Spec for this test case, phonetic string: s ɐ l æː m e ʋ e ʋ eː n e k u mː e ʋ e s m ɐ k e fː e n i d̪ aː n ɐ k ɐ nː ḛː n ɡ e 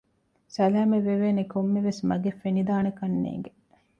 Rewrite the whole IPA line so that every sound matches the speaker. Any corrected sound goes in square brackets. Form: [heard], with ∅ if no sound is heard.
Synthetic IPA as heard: s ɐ l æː m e ʋ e ʋ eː n e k [o] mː e ʋ e s m ɐ [ɡ] e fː e n i d̪ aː n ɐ k ɐ nː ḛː [ŋ] ɡ e